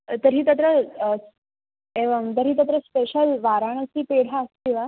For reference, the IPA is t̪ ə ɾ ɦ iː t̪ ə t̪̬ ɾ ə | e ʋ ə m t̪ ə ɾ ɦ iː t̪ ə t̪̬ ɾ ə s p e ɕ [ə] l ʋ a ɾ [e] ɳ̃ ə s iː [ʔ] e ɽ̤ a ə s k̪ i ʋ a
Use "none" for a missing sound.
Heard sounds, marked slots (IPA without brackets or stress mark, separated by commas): ə, a, p